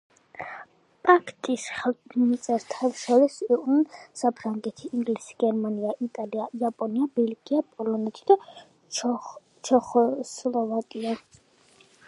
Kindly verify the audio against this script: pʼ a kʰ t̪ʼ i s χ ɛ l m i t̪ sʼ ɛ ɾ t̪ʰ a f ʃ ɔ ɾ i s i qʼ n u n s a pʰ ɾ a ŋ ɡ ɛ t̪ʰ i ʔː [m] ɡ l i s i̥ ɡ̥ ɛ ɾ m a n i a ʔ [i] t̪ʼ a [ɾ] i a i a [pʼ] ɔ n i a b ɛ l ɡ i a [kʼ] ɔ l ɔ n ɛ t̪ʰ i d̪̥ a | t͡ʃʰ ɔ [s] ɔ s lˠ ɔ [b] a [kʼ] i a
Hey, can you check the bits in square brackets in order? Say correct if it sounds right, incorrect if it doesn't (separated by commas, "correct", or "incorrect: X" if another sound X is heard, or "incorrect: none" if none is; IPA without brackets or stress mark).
incorrect: ŋ, correct, incorrect: l, correct, incorrect: pʼ, incorrect: χ, incorrect: v, correct